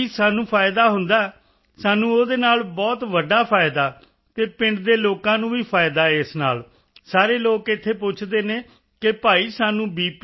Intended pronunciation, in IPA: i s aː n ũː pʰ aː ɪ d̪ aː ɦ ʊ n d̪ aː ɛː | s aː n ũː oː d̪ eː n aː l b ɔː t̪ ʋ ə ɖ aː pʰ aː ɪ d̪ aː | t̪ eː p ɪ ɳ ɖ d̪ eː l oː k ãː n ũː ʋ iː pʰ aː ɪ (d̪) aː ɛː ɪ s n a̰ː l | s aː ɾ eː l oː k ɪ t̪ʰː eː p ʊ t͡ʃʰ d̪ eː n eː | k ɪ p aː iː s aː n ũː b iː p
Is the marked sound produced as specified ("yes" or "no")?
yes